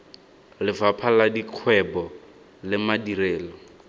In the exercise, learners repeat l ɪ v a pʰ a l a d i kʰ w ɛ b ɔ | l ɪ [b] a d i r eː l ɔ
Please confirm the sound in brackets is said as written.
no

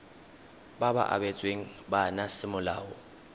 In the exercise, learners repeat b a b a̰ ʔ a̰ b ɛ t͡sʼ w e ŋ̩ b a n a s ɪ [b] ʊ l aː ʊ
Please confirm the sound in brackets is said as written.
no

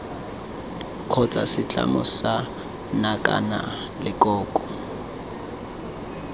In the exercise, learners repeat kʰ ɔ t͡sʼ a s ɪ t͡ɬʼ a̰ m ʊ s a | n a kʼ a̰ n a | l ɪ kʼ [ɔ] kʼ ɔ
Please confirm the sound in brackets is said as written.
no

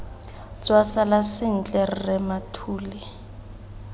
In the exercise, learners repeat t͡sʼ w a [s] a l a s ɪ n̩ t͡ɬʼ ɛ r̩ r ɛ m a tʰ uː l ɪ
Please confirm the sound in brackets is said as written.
yes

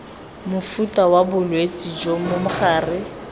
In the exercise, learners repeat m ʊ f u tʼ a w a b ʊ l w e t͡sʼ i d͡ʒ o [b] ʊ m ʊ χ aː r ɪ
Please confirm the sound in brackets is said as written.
no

